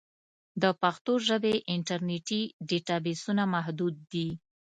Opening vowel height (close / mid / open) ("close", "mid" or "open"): mid